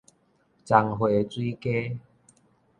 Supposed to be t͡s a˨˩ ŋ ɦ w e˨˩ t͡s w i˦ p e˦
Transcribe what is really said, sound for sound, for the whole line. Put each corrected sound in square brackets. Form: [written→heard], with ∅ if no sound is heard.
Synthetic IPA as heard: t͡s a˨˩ ŋ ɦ w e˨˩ t͡s w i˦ [p→k] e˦